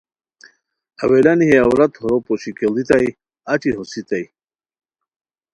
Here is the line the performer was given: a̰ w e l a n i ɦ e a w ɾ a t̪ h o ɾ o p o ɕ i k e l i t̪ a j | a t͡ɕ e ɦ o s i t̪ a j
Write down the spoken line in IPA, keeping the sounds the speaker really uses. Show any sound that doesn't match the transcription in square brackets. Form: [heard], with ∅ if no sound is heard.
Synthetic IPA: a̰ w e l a n i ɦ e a w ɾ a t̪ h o ɾ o p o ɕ i k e l i t̪ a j | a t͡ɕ [i] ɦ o s i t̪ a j